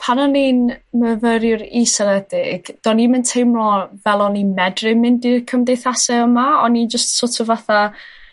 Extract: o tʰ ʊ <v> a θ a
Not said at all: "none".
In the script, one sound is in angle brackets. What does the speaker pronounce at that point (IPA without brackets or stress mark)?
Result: v